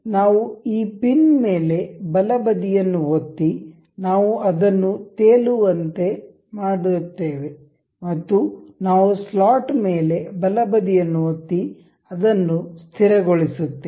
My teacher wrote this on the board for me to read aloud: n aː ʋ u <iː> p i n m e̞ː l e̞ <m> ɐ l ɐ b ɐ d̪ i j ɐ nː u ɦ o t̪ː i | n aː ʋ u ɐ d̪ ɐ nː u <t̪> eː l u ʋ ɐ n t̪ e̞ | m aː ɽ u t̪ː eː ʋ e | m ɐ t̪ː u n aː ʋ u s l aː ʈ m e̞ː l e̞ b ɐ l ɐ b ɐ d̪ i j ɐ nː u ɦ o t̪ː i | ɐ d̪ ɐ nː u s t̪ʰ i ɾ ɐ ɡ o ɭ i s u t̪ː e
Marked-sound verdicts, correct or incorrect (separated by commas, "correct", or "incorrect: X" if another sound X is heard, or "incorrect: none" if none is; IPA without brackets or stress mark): correct, incorrect: b, correct